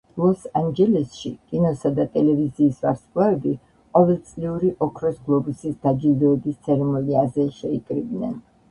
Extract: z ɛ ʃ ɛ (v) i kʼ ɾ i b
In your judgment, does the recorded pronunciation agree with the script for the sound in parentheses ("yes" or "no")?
no